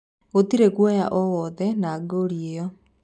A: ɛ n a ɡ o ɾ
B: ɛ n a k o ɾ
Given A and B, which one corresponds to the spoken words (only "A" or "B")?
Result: A